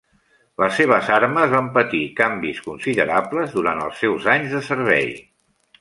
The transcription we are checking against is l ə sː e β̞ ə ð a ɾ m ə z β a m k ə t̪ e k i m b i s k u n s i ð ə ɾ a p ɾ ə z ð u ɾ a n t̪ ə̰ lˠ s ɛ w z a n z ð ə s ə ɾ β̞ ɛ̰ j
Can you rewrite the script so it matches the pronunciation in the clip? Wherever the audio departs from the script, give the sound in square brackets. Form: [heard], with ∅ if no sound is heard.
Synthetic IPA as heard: l ə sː e β̞ ə [z] a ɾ m ə z β a m [p] ə t̪ [i] k [a] m b i s k u n s i ð ə ɾ a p [l] ə z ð u ɾ a n t̪ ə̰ lˠ s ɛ w z a [ɲ] z ð ə s ə ɾ β̞ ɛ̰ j